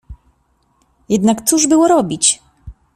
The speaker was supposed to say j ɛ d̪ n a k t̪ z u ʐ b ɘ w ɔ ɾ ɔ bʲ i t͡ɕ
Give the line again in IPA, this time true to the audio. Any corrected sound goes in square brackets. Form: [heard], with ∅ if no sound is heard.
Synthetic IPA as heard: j ɛ d̪ n a k t̪ [s] u ʐ b ɘ w ɔ ɾ ɔ bʲ i t͡ɕ